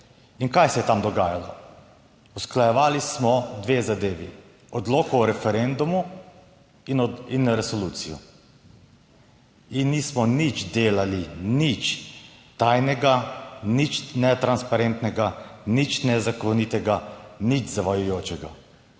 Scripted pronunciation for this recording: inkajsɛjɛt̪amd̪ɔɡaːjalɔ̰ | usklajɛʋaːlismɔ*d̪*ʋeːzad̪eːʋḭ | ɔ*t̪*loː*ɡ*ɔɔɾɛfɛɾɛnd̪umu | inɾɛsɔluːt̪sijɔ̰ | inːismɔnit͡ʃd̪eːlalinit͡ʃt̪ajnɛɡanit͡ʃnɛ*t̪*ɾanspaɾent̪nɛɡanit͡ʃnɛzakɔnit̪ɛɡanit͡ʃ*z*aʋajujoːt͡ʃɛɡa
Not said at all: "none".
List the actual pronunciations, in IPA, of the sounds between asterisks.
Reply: d̪, d̪, k, t̪, z

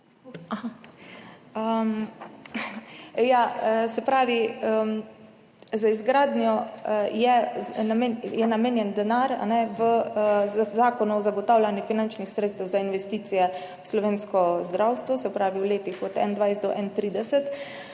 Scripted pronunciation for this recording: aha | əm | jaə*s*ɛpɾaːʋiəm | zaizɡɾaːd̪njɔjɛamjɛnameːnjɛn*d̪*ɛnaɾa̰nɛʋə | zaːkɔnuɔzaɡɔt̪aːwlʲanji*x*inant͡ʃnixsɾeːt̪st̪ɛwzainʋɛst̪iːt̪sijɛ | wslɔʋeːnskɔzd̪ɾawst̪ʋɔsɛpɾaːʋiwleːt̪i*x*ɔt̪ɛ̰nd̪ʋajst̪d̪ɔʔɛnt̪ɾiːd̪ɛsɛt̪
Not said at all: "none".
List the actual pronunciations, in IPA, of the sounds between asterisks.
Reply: s, d̪, f, x

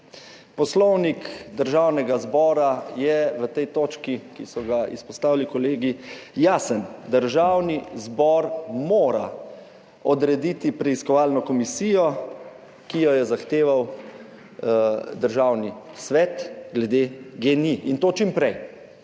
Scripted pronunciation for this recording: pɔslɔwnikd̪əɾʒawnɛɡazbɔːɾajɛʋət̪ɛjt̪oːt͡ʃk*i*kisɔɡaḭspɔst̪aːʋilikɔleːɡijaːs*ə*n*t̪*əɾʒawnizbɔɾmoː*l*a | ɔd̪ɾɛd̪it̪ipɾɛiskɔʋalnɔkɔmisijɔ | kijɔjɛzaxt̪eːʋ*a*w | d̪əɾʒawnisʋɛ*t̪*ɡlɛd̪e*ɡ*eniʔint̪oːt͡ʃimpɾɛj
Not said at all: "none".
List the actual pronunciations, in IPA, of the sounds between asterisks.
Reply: i, ə, d̪, ɾ, a, t̪, ɡ

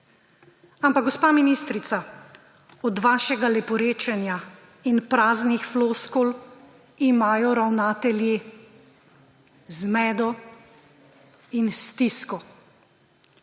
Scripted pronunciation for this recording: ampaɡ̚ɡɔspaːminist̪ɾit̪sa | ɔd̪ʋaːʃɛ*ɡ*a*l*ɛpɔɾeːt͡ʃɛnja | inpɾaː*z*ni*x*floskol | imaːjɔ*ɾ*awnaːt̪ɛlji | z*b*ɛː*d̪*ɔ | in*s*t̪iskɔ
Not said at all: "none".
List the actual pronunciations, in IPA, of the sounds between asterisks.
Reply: ɡ, l, z, x, ɾ, m, d̪, s

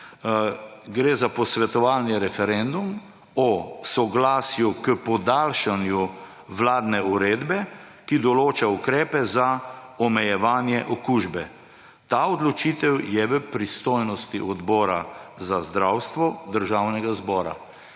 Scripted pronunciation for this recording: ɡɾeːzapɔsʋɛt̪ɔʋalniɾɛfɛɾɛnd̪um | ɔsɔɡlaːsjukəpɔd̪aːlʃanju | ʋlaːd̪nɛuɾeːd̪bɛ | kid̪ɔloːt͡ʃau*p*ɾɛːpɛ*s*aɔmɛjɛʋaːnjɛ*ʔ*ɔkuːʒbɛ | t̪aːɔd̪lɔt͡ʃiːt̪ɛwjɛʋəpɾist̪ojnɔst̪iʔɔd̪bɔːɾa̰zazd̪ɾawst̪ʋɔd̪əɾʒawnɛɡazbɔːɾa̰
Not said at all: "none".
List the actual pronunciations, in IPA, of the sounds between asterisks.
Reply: k, z, ʔ

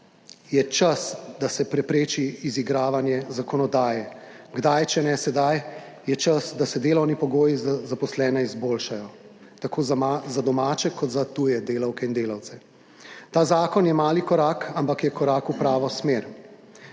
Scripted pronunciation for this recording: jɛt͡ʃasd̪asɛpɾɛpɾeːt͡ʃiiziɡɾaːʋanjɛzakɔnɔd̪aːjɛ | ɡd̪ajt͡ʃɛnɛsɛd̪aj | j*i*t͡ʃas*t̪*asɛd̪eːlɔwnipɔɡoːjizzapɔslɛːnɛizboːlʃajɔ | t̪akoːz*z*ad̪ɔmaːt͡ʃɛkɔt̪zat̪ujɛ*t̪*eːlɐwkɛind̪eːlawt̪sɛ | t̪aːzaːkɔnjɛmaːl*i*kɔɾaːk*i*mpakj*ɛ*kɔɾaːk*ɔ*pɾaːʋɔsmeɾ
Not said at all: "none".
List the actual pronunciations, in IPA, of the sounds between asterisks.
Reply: ɛ, d̪, z, d̪, i, a, ɛ, u

